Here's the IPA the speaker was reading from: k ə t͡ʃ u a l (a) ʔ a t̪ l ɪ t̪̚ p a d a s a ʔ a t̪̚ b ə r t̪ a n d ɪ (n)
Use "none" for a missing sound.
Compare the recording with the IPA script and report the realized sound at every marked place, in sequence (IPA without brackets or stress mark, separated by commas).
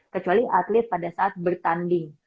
i, ŋ